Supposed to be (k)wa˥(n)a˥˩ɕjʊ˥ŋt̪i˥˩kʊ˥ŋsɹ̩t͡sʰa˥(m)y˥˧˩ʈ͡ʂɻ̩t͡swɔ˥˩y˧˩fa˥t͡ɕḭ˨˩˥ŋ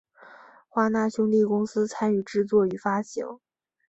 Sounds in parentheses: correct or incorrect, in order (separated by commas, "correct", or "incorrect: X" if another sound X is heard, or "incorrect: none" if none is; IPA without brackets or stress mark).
incorrect: x, correct, incorrect: n